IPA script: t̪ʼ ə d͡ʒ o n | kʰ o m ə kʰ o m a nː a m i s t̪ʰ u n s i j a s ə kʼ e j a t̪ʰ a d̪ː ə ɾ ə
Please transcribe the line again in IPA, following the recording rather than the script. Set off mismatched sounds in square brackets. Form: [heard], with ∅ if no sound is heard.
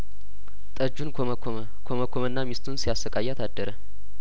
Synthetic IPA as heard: t̪ʼ ə d͡ʒ [u] n | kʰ o m ə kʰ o m [ə] nː a m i s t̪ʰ u n s i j a s ə kʼ [a] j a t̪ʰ a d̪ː ə ɾ ə